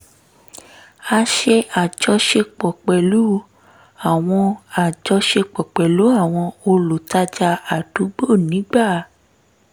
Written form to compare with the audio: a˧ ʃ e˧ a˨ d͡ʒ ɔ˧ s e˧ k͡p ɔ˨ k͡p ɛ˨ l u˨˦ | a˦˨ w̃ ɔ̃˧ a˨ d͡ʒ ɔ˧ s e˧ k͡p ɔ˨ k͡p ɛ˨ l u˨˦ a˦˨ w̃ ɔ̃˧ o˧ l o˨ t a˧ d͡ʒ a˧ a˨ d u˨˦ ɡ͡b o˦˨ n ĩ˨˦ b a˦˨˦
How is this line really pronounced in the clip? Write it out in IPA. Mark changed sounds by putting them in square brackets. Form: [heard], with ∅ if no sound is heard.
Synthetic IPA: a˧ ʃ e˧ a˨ d͡ʒ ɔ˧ [ʃ] e˧ k͡p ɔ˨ k͡p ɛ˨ l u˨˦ | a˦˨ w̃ ɔ̃˧ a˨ d͡ʒ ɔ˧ [ʃ] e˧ k͡p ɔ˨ k͡p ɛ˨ l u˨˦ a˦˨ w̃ ɔ̃˧ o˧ l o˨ t a˧ d͡ʒ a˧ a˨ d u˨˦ ɡ͡b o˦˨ n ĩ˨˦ [ɡ͡b] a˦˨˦